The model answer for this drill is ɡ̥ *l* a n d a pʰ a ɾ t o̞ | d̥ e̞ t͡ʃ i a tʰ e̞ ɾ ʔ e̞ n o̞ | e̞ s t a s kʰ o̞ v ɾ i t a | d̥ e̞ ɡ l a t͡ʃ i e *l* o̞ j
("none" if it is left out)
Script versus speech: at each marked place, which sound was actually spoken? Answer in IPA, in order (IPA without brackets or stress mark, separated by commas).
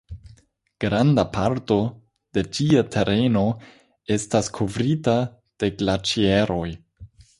ɾ, ɾ